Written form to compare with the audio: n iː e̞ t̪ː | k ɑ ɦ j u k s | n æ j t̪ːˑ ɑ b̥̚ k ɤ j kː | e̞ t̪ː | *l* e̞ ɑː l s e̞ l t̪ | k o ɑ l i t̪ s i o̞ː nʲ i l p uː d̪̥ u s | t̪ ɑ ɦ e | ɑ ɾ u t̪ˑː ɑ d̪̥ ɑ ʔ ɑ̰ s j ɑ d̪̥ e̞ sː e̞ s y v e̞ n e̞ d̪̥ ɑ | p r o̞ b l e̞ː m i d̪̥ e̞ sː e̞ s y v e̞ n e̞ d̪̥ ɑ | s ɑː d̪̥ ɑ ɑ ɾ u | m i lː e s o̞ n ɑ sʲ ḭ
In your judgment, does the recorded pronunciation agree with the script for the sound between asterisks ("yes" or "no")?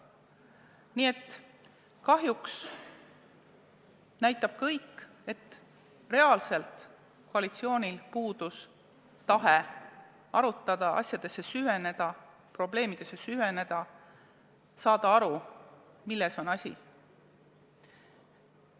no